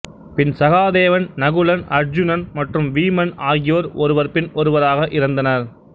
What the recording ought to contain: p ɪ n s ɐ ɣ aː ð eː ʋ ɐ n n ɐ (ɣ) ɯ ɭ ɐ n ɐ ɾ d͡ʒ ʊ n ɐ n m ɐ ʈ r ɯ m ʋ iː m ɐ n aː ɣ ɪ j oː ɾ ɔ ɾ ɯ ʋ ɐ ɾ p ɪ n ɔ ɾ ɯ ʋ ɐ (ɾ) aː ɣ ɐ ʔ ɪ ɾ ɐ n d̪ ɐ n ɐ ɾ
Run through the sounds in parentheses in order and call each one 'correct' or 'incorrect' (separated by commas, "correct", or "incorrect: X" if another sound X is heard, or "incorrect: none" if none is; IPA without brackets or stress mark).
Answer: correct, correct